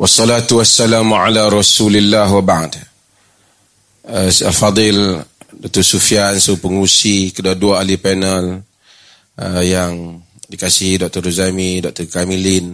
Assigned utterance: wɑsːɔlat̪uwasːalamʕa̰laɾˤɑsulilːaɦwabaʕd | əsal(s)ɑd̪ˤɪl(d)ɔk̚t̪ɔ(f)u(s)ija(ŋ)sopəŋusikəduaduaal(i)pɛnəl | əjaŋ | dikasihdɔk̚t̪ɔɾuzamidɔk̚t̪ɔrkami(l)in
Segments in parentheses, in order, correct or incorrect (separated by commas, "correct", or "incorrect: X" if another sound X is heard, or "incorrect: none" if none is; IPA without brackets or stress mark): incorrect: f, correct, incorrect: s, incorrect: f, incorrect: n, correct, correct